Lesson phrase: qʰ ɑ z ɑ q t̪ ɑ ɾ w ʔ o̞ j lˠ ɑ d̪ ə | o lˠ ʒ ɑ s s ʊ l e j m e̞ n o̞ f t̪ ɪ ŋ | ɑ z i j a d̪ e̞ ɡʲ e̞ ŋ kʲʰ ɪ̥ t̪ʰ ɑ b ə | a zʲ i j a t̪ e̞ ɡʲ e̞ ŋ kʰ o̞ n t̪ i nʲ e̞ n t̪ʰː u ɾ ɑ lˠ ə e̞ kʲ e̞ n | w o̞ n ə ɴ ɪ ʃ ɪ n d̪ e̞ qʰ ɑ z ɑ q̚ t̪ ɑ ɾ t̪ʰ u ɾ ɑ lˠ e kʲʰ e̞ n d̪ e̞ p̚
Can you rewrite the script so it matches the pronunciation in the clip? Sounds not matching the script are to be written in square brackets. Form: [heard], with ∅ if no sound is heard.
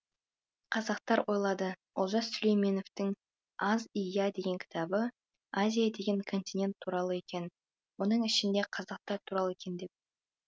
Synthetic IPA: qʰ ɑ z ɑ q t̪ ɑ ɾ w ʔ o̞ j lˠ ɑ d̪ ə | o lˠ ʒ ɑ s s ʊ l e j m e̞ n o̞ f t̪ ɪ ŋ | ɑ z i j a d̪ e̞ ɡʲ e̞ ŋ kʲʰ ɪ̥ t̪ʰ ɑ b ə | a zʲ i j a [d̪] e̞ ɡʲ e̞ ŋ kʰ o̞ n t̪ i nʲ e̞ n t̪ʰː u ɾ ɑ lˠ ə e̞ kʲ e̞ n | w o̞ n ə ɴ ɪ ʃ ɪ n d̪ e̞ qʰ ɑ z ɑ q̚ t̪ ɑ ɾ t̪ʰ u ɾ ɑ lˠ e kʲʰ e̞ n d̪ e̞ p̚